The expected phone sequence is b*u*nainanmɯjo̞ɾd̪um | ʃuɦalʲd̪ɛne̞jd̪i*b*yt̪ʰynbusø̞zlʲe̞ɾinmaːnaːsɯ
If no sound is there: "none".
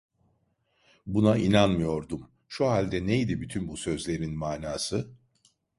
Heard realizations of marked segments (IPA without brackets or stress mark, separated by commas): u, b